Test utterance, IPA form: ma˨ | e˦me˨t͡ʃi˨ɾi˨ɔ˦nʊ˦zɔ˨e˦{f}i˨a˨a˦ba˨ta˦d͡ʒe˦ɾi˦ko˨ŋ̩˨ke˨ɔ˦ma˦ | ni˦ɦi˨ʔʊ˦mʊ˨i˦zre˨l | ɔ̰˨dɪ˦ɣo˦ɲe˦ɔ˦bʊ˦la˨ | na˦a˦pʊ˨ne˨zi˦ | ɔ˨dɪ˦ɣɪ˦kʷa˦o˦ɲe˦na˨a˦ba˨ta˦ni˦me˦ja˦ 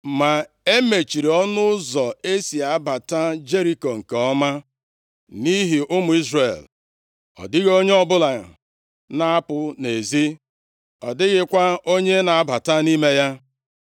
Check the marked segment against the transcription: incorrect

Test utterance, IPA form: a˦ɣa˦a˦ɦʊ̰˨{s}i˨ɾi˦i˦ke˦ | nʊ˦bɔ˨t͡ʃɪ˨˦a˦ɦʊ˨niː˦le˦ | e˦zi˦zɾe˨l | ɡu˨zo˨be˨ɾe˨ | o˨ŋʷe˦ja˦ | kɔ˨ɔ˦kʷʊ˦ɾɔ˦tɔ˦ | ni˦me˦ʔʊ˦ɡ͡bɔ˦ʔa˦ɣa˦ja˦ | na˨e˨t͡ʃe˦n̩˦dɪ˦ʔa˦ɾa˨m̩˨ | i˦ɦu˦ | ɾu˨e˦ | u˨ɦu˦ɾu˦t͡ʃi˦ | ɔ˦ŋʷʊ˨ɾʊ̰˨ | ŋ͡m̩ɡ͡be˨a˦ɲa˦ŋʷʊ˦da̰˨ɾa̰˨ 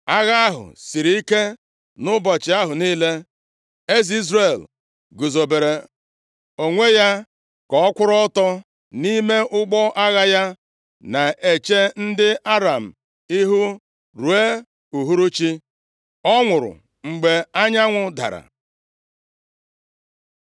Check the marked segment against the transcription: correct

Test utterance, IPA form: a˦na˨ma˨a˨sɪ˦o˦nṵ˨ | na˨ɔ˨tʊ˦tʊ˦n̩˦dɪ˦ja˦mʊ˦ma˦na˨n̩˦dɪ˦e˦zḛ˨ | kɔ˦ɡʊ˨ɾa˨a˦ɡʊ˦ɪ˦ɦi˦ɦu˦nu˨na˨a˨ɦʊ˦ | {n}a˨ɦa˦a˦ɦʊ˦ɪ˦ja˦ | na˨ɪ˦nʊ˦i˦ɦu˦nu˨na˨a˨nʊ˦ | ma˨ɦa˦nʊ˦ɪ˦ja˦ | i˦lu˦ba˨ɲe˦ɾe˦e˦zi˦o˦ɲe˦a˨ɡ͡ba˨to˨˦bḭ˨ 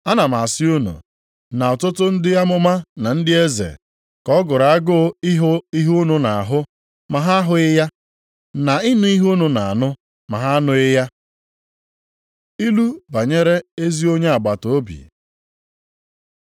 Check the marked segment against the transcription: incorrect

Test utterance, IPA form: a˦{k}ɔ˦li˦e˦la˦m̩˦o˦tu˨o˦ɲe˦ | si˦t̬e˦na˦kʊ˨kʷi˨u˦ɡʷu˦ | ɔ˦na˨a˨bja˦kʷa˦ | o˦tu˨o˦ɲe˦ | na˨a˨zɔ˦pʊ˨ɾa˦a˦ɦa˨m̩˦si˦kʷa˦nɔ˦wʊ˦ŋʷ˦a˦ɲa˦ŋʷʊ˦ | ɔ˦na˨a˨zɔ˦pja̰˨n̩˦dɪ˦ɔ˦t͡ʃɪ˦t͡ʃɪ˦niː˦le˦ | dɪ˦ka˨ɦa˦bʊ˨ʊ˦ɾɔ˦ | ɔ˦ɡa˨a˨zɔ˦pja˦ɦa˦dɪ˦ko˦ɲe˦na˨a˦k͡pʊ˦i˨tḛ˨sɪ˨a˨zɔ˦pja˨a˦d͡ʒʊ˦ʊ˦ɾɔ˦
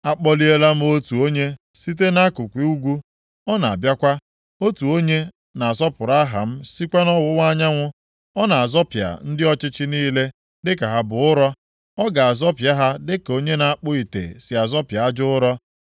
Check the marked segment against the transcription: incorrect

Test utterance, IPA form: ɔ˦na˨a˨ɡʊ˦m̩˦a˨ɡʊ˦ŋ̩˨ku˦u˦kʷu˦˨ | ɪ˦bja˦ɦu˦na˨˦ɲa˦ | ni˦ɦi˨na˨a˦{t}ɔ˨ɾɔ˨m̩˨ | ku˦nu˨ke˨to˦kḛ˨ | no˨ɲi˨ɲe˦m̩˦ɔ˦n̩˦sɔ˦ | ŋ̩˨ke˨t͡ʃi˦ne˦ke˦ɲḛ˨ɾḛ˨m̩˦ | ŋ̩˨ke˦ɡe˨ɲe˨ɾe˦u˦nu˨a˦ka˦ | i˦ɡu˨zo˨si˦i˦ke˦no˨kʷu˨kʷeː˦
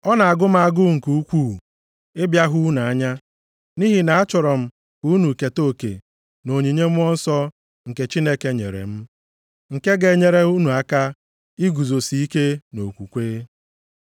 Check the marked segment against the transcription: incorrect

